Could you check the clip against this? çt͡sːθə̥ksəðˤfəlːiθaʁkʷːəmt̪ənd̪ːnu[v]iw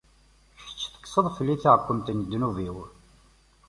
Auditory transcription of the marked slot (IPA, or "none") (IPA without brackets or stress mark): v